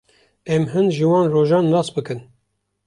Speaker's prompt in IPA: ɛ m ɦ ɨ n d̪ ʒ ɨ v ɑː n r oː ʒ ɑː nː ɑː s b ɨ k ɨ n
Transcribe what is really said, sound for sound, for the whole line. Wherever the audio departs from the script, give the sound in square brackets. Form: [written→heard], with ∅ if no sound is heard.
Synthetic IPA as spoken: ɛ m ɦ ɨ n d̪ ʒ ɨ [v→w] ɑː n r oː ʒ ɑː nː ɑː s b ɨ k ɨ n